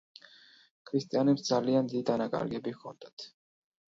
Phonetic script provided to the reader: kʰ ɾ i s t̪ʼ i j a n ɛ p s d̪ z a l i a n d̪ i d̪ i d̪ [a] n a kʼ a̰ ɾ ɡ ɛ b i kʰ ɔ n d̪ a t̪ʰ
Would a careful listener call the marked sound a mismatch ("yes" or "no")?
no